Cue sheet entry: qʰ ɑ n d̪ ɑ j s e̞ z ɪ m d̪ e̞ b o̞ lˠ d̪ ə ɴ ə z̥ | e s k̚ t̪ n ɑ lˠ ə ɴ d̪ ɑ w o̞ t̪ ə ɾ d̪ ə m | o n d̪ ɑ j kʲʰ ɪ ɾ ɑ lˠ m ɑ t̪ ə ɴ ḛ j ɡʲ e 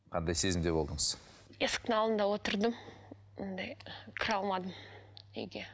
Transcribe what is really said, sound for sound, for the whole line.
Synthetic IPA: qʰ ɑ n d̪ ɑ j s e̞ z ɪ m d̪ e̞ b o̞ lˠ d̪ ə ɴ ə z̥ | e s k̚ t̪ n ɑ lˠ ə n d̪ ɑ w o̞ t̪ ə ɾ d̪ ə m | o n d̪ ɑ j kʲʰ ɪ ɾ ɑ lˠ m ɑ d̪ ə m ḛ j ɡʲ e